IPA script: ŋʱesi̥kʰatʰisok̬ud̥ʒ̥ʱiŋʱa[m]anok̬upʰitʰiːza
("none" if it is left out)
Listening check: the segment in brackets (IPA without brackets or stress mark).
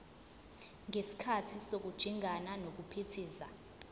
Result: n